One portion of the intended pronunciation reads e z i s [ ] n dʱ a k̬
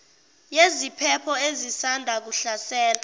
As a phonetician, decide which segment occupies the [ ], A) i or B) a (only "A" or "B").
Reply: B